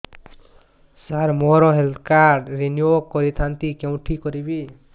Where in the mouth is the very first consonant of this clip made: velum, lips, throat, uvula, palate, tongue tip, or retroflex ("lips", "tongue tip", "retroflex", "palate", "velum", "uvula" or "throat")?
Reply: tongue tip